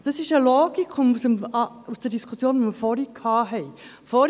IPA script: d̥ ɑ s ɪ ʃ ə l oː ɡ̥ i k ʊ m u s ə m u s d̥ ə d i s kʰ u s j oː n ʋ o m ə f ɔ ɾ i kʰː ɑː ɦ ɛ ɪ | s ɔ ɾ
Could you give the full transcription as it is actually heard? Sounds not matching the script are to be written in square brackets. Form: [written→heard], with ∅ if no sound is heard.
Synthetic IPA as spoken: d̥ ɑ s ɪ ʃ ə l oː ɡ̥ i k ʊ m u s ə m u s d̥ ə d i s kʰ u s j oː n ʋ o m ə f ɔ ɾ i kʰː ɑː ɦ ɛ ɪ | [s→f] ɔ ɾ